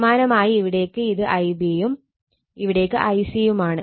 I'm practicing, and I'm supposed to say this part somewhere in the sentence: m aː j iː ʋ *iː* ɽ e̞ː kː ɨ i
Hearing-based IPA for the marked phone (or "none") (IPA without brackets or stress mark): i